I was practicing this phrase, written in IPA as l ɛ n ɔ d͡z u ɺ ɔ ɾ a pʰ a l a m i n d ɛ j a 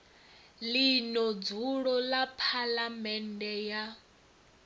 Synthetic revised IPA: l i n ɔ d͡z u ɺ ɔ l a pʰ a l a m ɛ n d ɛ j a